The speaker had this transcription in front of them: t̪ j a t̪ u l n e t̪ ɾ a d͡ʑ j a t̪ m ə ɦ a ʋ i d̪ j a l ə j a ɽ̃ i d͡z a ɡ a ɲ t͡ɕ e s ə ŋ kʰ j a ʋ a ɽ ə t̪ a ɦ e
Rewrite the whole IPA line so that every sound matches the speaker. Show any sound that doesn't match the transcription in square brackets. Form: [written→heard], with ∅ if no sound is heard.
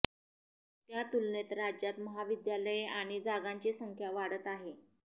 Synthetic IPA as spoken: t̪ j a t̪ u l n e t̪ ɾ a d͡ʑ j a t̪ m ə ɦ a ʋ i d̪ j a l ə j a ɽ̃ i d͡z a ɡ a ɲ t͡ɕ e s ə ŋ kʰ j a ʋ a ɽ ə t̪ a ɦ e